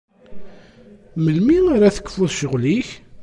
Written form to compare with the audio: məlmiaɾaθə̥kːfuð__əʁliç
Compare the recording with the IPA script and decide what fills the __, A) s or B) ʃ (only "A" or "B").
B